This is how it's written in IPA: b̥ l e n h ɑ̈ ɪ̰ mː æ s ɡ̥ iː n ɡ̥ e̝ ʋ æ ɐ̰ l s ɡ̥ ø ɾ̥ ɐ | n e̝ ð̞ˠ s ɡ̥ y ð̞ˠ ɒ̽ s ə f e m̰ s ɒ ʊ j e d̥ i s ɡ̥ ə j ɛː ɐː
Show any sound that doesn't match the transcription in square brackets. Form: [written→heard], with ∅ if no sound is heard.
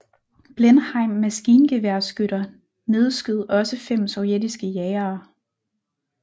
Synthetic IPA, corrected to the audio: b̥ l e n h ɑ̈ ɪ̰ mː æ s ɡ̥ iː n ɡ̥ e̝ ʋ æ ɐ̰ [l→∅] s ɡ̥ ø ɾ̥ ɐ | n e̝ ð̞ˠ s ɡ̥ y ð̞ˠ ɒ̽ s ə f e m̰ s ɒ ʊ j e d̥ i s ɡ̥ ə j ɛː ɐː

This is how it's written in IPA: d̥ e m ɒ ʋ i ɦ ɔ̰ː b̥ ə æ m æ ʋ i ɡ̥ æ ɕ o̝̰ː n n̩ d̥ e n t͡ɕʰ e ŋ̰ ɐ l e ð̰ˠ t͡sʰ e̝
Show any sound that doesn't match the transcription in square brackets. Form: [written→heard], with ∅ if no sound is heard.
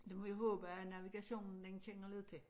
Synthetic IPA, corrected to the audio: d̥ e m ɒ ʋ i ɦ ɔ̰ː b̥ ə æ [m→n] æ ʋ i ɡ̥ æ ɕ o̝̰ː n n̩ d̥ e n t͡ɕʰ e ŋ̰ ɐ l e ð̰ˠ t͡sʰ e̝

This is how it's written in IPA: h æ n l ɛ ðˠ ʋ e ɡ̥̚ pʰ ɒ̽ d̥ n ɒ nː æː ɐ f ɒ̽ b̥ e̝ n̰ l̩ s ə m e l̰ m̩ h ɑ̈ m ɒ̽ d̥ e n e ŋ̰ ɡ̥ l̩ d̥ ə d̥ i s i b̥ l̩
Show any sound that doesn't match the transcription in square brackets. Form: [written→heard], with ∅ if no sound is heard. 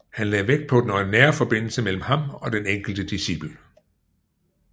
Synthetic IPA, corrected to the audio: h æ n l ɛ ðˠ ʋ e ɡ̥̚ pʰ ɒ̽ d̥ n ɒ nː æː ɐ f ɒ̽ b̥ e̝ n̰ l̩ s ə m e l̰ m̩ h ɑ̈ m ɒ̽ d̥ e n e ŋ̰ ɡ̥ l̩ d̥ ə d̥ i s i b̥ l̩

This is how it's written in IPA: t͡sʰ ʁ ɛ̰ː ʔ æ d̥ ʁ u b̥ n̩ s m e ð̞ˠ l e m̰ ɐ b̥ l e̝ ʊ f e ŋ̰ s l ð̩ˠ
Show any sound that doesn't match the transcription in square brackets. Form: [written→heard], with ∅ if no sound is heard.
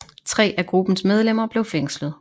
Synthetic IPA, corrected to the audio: t͡sʰ ʁ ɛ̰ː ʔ æ [d̥→ɡ̥] ʁ u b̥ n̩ s m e ð̞ˠ l e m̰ ɐ b̥ l e̝ ʊ f e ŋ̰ s l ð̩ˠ

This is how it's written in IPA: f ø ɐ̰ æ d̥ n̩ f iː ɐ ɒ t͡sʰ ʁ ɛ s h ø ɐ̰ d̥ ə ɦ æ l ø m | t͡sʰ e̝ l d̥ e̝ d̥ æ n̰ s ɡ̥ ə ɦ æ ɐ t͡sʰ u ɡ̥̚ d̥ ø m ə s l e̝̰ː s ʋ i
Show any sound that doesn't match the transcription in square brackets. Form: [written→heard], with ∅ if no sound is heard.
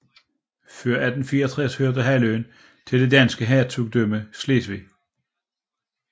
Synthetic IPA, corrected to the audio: f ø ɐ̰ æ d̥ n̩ f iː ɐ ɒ t͡sʰ ʁ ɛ s h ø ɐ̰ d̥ ə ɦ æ l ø [m→n] | t͡sʰ e̝ l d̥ e̝ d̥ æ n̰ s ɡ̥ ə ɦ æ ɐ t͡sʰ u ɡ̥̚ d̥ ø m ə s l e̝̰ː s ʋ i

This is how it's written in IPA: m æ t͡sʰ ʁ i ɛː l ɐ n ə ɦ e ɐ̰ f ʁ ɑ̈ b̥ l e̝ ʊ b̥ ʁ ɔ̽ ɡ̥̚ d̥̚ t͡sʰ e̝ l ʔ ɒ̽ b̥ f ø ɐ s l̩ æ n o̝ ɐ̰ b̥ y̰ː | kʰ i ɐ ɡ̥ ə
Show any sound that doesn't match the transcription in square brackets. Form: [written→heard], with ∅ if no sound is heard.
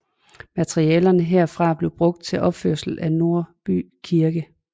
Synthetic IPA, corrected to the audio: m æ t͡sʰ ʁ i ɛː l ɐ n ə ɦ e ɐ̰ f ʁ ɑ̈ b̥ l e̝ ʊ b̥ ʁ ɔ̽ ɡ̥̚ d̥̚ t͡sʰ e̝ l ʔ ɒ̽ b̥ f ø ɐ s l̩ æ n o̝ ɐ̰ b̥ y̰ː | kʰ i ɐ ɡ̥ ə

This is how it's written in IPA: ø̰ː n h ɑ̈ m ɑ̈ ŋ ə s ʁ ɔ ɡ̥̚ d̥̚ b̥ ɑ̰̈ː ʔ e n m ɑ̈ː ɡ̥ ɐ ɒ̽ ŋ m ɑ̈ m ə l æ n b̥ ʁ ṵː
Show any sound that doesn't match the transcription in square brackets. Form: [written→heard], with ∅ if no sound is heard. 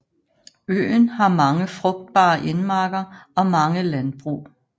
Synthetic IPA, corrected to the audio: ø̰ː n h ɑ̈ m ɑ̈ ŋ ə [s→f] ʁ ɔ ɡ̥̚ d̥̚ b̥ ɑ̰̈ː ʔ e n m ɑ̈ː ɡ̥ ɐ ɒ̽ [ŋ→∅] m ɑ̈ [m→ŋ] ə l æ n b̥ ʁ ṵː

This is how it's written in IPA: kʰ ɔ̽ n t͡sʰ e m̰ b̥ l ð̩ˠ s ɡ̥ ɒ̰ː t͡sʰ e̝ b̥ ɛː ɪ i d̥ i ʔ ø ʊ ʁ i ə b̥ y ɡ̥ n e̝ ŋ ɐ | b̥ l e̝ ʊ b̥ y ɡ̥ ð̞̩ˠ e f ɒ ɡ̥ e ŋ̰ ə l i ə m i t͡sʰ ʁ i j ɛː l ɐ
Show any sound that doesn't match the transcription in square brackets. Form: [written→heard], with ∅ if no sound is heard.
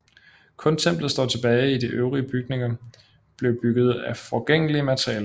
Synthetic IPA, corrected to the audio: kʰ ɔ̽ n t͡sʰ e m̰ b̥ l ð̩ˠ s [ɡ̥→d̥] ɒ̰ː t͡sʰ e̝ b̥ ɛː ɪ i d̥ i ʔ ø ʊ ʁ i ə b̥ y ɡ̥ n e̝ ŋ ɐ | b̥ l e̝ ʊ b̥ y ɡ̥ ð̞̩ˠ [e→æ] f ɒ ɡ̥ e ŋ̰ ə l i ə m [i→æ] t͡sʰ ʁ i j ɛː l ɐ

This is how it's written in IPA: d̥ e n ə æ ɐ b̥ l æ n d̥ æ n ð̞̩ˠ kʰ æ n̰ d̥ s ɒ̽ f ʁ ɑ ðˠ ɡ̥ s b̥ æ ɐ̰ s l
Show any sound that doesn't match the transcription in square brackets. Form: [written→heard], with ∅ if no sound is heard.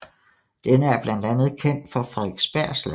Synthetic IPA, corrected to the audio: d̥ e n ə æ ɐ b̥ l æ n d̥ æ n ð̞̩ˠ kʰ [æ→e] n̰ d̥ [s→f] ɒ̽ f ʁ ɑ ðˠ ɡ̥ s b̥ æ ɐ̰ s l

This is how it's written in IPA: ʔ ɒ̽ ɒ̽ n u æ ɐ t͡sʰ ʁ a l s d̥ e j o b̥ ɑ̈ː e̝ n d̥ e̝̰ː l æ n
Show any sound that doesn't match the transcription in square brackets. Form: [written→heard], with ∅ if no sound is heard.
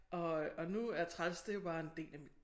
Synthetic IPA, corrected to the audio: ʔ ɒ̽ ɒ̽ n u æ ɐ t͡sʰ ʁ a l s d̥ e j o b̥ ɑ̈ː e̝ n d̥ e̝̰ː l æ [n→m]

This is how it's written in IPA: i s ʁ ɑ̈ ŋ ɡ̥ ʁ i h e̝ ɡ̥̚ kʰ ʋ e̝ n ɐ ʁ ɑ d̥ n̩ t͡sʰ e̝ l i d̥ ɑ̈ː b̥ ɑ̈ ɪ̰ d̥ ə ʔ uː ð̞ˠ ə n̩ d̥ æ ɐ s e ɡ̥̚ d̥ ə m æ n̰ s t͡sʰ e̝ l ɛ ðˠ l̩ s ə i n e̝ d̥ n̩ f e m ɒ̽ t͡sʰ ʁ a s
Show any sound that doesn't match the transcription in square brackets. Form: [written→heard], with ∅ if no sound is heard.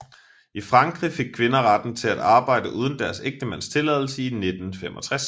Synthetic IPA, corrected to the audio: i [s→f] ʁ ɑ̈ ŋ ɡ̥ ʁ i [h→f] e̝ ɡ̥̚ kʰ ʋ e̝ n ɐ ʁ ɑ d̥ n̩ t͡sʰ e̝ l [i→æ] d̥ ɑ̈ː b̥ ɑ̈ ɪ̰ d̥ ə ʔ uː ð̞ˠ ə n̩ d̥ æ ɐ s e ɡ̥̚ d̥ ə m æ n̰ s t͡sʰ e̝ l ɛ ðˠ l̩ s ə i n e̝ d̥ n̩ f e m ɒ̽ t͡sʰ ʁ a s

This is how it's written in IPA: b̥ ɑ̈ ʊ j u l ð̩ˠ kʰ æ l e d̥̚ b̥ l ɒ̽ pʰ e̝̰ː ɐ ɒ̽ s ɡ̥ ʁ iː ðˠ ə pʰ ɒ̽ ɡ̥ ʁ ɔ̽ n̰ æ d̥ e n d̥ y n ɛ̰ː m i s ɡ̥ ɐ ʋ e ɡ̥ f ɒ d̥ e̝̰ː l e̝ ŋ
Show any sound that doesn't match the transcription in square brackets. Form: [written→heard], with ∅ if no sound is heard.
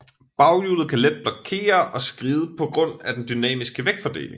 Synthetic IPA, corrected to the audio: b̥ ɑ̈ ʊ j u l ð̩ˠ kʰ æ l e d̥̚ b̥ l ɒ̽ [pʰ→kʰ] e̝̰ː ɐ ɒ̽ s ɡ̥ ʁ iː ðˠ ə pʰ ɒ̽ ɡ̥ ʁ ɔ̽ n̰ æ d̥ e n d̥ y n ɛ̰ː m i s ɡ̥ [ɐ→ə] ʋ e ɡ̥ f ɒ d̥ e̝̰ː l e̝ ŋ

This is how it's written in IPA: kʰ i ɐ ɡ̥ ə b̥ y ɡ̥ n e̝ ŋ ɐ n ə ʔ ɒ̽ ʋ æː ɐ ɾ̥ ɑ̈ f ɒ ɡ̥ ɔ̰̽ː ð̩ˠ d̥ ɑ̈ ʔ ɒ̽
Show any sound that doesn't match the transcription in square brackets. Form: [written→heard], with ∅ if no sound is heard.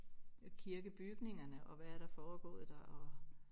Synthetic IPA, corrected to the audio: kʰ i ɐ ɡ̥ ə b̥ y ɡ̥ n e̝ ŋ ɐ n ə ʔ ɒ̽ ʋ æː ɐ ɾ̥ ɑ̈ f [ɒ→ɒː] ɡ̥ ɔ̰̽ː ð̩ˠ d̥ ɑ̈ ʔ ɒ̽

